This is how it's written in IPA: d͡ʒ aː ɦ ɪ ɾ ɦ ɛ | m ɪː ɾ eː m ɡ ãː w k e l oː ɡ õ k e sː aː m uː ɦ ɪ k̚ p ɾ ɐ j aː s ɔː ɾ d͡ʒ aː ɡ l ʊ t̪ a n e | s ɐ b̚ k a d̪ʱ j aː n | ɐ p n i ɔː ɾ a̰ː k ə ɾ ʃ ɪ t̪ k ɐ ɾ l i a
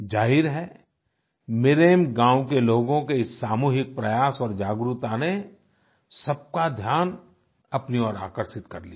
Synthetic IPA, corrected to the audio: d͡ʒ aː ɦ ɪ ɾ ɦ ɛ | m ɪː ɾ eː m ɡ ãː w k e l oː ɡ õ k e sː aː m uː ɦ ɪ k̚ p ɾ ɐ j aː s ɔː ɾ d͡ʒ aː ɡ ɾ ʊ t̪ a n e | s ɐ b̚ k a d̪ʱ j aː n | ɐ p n i ɔː ɾ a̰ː k ə ɾ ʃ ɪ t̪ k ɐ ɾ l i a